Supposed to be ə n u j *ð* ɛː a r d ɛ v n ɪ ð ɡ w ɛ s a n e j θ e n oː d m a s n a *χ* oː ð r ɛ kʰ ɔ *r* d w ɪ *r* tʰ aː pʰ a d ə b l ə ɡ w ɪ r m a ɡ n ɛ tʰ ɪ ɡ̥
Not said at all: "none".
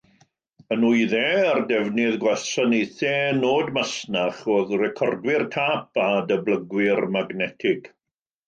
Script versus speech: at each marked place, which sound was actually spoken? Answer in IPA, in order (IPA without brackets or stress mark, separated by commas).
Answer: ð, χ, r, r